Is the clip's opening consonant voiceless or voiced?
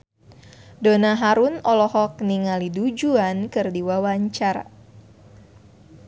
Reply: voiced